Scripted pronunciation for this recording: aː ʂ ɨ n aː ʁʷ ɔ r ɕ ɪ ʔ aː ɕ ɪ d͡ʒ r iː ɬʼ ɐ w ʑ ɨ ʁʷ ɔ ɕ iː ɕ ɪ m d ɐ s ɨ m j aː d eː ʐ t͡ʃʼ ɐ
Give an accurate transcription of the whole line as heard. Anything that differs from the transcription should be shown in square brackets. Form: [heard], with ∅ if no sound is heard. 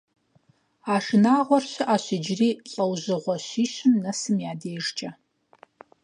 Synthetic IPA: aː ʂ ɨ n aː ʁʷ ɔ r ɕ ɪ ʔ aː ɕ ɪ d͡ʒ r iː ɬʼ ɐ w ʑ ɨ ʁʷ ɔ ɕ iː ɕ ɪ m [n] ɐ s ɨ m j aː d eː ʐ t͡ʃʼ ɐ